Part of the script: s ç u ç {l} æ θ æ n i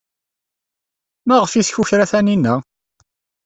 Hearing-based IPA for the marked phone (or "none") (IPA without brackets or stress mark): ɾ